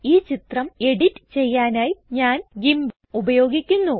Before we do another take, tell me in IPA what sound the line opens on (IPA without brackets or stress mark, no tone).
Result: iː